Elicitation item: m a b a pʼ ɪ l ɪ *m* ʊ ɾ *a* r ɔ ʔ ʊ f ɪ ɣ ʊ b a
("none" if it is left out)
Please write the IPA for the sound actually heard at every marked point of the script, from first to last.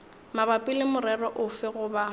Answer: m, ɛ

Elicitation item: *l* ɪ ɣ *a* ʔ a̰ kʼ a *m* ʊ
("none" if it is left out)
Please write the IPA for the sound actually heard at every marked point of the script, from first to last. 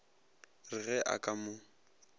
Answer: r, ɛ, m

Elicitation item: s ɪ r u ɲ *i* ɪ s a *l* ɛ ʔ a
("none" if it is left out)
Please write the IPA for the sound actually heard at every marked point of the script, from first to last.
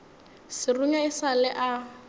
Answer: a, l

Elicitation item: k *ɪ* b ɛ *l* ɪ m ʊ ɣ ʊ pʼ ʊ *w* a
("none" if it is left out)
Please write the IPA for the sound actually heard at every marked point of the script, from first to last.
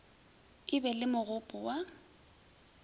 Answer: ɪ, l, w

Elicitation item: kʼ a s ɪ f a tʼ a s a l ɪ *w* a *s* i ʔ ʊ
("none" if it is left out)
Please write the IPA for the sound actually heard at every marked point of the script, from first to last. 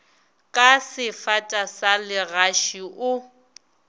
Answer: ɣ, ʃ

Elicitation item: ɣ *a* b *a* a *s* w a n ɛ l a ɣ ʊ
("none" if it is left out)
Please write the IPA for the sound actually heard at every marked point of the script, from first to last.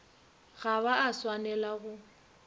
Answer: a, a, s

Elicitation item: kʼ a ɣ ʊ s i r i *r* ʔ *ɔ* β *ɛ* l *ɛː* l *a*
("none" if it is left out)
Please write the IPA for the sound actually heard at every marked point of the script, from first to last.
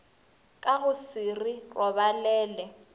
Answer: r, ɔ, a, ɛː, ɛ

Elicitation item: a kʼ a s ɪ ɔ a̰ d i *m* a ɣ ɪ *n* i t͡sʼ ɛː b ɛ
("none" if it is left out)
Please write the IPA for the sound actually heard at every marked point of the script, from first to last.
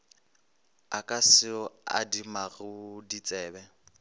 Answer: m, d

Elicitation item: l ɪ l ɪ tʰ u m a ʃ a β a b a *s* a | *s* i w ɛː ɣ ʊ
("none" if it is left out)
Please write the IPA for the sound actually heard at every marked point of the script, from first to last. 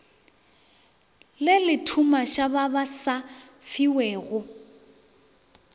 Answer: s, f

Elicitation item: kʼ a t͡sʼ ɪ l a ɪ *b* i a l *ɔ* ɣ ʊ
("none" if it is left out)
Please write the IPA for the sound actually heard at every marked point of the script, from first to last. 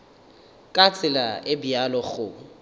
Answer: b, ɔ

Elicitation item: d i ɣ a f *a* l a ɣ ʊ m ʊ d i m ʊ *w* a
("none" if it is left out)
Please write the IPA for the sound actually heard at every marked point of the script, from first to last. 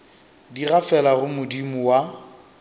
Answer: ɛ, w

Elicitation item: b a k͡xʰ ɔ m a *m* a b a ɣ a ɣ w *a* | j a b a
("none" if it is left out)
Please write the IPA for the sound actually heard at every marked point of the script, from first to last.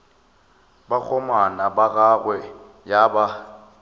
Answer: n, ɛ

